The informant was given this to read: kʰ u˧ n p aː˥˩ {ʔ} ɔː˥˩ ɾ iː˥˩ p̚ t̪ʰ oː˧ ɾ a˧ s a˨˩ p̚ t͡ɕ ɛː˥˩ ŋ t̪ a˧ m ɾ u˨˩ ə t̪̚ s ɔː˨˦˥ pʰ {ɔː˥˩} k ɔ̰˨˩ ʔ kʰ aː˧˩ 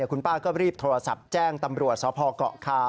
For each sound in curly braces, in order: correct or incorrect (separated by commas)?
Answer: incorrect, incorrect